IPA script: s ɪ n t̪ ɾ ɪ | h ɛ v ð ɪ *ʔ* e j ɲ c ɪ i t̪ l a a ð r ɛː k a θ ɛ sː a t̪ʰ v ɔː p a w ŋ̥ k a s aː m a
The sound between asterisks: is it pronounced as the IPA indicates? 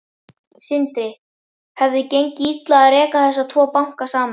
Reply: no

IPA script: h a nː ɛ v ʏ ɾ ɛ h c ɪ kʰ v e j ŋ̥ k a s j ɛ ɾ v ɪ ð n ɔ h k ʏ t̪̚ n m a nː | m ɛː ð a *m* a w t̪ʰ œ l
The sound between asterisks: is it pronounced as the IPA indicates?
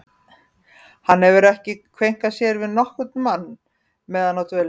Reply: no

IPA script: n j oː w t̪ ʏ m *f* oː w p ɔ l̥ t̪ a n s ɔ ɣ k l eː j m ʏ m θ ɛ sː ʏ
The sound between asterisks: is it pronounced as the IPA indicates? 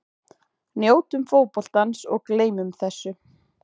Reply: yes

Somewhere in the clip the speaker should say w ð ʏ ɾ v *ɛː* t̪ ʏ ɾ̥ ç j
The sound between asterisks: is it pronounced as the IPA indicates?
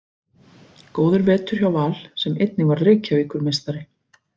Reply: yes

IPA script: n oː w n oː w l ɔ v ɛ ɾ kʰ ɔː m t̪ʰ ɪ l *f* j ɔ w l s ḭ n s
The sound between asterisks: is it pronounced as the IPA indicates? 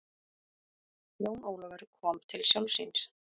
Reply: no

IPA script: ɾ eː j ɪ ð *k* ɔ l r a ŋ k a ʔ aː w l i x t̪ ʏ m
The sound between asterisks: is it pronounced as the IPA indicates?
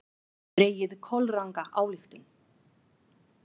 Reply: no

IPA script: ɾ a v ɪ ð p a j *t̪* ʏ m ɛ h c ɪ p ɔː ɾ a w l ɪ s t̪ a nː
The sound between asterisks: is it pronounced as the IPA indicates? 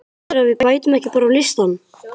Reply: yes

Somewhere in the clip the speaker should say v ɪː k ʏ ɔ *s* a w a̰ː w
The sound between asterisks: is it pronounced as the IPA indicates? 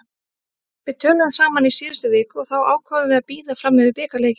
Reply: no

